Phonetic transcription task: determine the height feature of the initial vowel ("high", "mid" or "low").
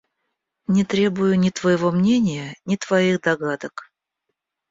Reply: high